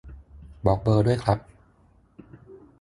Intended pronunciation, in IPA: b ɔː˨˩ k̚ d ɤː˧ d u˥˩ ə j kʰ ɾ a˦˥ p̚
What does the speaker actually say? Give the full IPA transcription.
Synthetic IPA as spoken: b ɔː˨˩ k̚ b ɤː˧ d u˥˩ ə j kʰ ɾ a˦˥ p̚